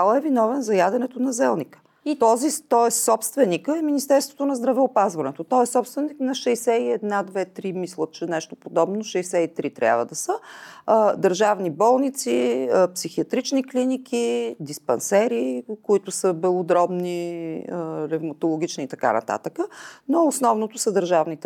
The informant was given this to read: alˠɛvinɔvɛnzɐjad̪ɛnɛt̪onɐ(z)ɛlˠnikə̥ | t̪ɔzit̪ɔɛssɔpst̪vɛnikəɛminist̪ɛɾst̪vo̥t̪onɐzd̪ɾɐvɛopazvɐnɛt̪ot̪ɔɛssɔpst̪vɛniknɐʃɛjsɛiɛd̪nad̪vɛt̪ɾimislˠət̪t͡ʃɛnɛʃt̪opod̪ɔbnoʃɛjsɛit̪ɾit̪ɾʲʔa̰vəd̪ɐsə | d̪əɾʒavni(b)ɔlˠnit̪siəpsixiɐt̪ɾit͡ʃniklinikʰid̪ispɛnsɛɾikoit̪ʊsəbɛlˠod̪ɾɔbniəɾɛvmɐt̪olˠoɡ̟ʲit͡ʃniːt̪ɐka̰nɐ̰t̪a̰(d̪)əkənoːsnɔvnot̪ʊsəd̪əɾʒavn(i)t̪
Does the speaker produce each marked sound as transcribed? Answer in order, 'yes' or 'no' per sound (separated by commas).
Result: yes, yes, no, yes